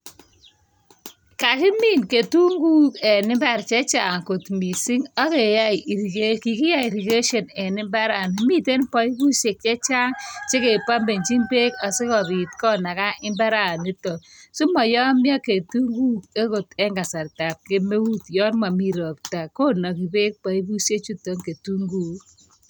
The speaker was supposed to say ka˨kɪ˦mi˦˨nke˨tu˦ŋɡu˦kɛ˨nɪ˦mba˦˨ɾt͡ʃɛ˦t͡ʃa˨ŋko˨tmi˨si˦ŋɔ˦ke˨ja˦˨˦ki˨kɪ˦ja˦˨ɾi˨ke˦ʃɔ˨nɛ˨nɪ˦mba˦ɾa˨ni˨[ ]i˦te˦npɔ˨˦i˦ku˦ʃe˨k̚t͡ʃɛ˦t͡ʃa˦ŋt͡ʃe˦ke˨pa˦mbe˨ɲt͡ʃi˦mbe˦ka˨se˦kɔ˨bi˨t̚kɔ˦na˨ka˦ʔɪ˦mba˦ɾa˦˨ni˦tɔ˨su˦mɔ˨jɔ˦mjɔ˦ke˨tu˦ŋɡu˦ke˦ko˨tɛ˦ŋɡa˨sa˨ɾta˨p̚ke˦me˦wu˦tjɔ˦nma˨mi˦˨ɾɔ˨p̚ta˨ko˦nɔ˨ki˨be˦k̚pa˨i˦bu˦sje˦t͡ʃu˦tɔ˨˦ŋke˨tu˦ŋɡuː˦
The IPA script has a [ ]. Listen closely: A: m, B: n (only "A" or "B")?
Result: A